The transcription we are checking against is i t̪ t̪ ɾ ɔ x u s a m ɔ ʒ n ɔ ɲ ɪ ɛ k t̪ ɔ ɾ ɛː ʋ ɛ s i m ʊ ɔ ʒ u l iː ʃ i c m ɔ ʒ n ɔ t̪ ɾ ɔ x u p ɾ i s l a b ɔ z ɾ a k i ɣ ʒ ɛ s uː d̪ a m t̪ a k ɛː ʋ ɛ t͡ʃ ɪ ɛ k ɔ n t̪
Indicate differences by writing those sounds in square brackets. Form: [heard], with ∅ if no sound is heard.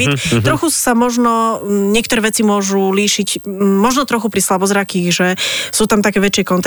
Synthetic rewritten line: i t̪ t̪ ɾ ɔ x u s a m ɔ ʒ n ɔ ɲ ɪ ɛ k t̪ ɔ ɾ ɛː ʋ ɛ [t͡s] i m ʊ ɔ ʒ u l iː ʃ i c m ɔ ʒ n ɔ t̪ ɾ ɔ x u p ɾ i s l a b ɔ z ɾ a k i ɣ ʒ ɛ s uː [t̪] a m t̪ a k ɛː ʋ ɛ t͡ʃ ɪ ɛ k ɔ n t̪